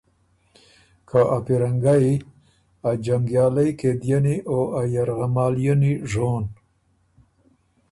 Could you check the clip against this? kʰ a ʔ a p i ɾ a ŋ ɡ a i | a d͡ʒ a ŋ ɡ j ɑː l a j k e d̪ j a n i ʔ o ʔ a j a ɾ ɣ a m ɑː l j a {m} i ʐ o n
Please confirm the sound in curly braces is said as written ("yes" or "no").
no